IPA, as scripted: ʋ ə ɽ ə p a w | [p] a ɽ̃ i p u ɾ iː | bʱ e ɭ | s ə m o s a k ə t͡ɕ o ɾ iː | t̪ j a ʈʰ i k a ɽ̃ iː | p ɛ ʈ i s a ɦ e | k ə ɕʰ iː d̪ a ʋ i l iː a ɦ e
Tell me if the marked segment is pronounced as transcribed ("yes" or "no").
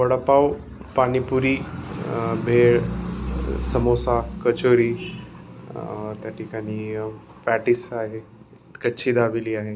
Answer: yes